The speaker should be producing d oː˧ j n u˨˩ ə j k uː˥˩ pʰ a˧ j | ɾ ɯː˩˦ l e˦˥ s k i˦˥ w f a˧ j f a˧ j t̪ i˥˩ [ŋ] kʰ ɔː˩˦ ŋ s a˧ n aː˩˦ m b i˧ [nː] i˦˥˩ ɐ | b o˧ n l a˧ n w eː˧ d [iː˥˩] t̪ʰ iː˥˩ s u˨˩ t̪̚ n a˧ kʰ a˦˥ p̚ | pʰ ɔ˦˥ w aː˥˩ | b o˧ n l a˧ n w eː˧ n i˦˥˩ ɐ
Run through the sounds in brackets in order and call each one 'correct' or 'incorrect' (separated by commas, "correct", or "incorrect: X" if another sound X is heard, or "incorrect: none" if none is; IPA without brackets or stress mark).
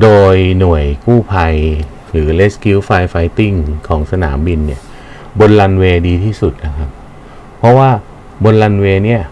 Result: correct, correct, incorrect: iː˧